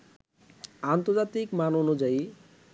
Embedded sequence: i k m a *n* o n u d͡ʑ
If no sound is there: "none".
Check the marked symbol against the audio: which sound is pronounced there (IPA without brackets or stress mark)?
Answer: n